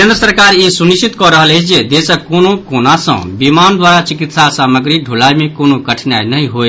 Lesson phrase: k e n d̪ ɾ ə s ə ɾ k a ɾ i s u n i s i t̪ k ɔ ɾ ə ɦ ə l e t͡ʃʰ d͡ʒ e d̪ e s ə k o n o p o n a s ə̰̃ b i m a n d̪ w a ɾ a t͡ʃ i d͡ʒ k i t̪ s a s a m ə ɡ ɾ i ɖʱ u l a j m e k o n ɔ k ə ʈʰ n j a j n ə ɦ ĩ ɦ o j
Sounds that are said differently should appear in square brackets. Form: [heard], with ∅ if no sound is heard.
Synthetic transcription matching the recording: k e n d̪ ɾ ə s ə ɾ k a ɾ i s u n i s i t̪ k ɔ ɾ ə ɦ ə l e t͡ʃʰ d͡ʒ e d̪ e s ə k o n o [k] o n a s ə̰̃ b i m a n d̪ w a ɾ a t͡ʃ i [∅] k i t̪ s a s a m ə ɡ ɾ i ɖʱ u l a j m e k o n [o] k ə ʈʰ n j a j n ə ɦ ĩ ɦ o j

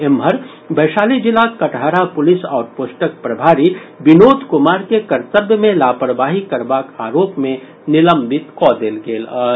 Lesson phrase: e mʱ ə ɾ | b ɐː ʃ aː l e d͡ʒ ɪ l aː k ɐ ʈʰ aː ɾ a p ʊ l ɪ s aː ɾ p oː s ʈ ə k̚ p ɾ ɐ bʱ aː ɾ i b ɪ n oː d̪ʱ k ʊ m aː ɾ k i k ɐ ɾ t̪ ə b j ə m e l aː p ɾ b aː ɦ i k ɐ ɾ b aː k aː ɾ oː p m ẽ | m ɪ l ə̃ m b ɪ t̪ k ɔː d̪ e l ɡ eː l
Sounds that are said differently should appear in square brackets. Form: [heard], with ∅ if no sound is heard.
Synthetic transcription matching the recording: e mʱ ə ɾ | b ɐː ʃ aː l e d͡ʒ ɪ l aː k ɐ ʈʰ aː ɾ a p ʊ l ɪ s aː ɾ p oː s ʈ ə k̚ p ɾ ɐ bʱ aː ɾ i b ɪ n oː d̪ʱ k ʊ m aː ɾ k [e] k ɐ ɾ t̪ ə b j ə m [ẽ] l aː p ɾ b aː ɦ i k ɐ ɾ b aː k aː ɾ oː p m ẽ | [n] ɪ l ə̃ m b ɪ t̪ k ɔː d̪ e l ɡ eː l

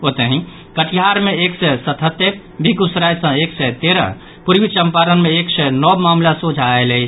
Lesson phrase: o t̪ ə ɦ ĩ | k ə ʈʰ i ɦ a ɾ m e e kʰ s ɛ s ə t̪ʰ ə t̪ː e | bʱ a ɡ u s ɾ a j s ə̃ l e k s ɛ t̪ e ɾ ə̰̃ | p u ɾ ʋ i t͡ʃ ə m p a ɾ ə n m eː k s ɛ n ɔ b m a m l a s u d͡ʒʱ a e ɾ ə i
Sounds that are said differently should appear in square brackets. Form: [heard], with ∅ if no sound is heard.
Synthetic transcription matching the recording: o t̪ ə ɦ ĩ | k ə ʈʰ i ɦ a ɾ m e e [k] s ɛ s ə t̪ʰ ə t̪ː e | bʱ [i] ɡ u s ɾ a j s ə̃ [∅] e k s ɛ t̪ e ɾ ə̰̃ | p u ɾ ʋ i t͡ʃ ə m p a ɾ ə n m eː k s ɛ n ɔ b m a m l a s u d͡ʒʱ a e [l] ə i

